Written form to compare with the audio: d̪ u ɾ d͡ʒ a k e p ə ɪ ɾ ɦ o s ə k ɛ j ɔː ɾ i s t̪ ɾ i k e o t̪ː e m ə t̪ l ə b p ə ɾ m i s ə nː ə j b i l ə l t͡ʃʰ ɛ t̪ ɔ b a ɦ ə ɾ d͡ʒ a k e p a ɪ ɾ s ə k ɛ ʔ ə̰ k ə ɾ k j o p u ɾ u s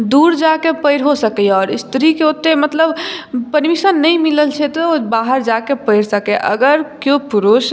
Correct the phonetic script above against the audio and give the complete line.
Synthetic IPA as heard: d̪ u ɾ d͡ʒ a k e p ə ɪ ɾ ɦ o s ə k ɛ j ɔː ɾ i s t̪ ɾ i k e o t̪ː e m ə t̪ l ə b p ə ɾ m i s ə nː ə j m i l ə l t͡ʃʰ ɛ t̪ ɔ b a ɦ ə ɾ d͡ʒ a k e p ə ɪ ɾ s ə k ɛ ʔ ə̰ ɡ ə ɾ k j o p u ɾ u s